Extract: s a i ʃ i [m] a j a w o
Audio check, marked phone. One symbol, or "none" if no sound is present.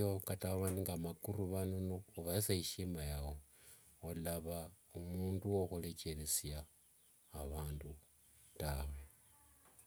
m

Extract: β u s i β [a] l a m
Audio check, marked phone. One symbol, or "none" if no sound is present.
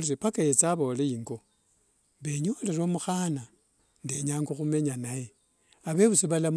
a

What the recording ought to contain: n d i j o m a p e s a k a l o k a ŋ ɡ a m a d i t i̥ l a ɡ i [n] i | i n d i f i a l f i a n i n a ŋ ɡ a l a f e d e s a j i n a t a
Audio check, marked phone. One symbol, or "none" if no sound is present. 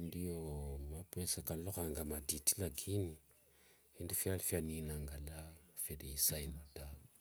n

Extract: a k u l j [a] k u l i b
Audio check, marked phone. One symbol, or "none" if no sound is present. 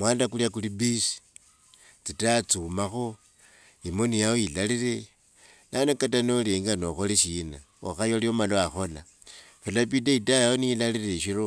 a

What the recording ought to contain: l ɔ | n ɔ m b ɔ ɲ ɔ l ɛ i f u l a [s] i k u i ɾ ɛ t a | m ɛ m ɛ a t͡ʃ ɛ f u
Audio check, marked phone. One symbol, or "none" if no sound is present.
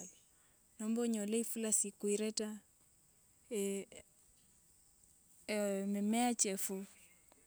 s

